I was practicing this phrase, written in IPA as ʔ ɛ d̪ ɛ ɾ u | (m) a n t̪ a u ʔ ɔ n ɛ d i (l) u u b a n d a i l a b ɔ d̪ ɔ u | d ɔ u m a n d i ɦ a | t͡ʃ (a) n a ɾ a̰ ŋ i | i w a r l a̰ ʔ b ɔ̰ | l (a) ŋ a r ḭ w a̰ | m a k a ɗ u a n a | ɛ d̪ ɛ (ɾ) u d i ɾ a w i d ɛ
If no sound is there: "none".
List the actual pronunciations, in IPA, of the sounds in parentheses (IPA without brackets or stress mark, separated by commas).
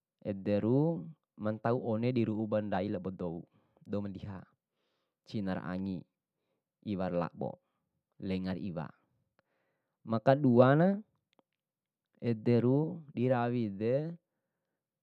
m, ɾ, i, ɛ, ɾ